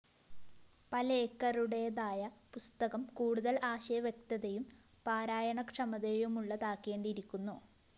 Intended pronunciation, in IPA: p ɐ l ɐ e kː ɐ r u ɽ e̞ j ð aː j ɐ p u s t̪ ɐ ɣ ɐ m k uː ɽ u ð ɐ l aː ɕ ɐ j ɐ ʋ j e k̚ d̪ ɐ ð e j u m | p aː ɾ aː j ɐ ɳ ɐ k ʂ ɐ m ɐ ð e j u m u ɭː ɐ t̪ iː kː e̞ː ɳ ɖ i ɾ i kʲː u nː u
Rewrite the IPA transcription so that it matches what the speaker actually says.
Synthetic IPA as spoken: p ɐ l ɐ e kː ɐ r u ɽ e̞ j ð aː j ɐ p u s t̪ ɐ ɣ ɐ m k uː ɽ u ð ɐ l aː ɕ ɐ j ɐ ʋ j e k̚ t̪ ɐ ð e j u m | p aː ɾ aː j ɐ ɳ ɐ k ʂ ɐ m ɐ ð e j u m u ɭː ɐ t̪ aː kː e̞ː ɳ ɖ i ɾ i kʲː u nː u